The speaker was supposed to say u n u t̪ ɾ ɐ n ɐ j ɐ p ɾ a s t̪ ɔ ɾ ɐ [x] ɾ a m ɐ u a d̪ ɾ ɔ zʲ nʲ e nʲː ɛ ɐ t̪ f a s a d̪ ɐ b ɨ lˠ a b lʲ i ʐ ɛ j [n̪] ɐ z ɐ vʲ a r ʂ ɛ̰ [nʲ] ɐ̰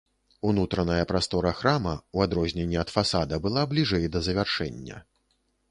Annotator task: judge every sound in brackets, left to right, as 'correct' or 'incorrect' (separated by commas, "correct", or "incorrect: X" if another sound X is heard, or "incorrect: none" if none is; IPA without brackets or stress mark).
correct, incorrect: d̪, incorrect: nʲː